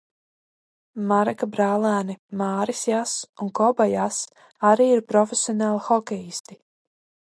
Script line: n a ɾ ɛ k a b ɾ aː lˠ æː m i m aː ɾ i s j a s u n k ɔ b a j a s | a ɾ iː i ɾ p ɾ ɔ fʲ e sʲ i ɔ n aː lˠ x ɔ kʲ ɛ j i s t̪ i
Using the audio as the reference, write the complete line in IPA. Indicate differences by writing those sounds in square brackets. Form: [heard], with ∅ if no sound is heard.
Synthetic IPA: [m] a ɾ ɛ k a b ɾ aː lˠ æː [n] i m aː ɾ i s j a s u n k ɔ b a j a s | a ɾ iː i ɾ p ɾ ɔ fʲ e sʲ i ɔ n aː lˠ x ɔ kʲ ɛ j i s t̪ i

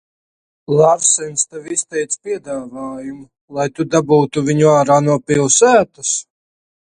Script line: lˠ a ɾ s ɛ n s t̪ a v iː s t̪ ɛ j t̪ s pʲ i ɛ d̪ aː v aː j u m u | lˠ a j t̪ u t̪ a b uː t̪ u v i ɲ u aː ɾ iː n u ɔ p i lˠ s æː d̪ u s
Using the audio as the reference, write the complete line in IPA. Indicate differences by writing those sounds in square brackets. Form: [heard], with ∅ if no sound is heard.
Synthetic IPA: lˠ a ɾ s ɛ n s t̪ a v [i] s t̪ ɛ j t̪ s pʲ i ɛ d̪ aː v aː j u m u | lˠ a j t̪ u [d̪] a b uː t̪ u v i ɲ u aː ɾ [aː] n u ɔ p i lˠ s æː [t̪] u s

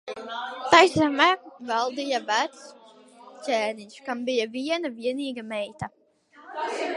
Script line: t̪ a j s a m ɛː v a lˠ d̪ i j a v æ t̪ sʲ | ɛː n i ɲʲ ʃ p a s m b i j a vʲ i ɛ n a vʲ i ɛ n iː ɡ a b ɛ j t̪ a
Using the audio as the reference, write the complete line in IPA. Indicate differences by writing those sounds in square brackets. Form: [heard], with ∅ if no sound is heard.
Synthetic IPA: t̪ a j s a m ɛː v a lˠ d̪ i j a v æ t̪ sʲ | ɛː n i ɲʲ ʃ [k] a [∅] m b i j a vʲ i ɛ n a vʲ i ɛ n iː ɡ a [m] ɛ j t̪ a

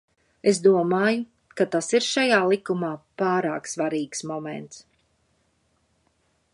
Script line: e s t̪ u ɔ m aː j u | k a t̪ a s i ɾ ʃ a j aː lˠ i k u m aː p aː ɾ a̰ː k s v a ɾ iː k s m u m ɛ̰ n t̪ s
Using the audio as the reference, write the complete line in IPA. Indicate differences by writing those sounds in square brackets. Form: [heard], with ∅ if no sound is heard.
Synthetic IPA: e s [d̪] u ɔ m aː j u | k a t̪ a s i ɾ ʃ a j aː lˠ i k u m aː p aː ɾ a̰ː k s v a ɾ iː k s m [ɔ] m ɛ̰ n t̪ s

